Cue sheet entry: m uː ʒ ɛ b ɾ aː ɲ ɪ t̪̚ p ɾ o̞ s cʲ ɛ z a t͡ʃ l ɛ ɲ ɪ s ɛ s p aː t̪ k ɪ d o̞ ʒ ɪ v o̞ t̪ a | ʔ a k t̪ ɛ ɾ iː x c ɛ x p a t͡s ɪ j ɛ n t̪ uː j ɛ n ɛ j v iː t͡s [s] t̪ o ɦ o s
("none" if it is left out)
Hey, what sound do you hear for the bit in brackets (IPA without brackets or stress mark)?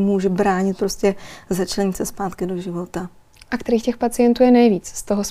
s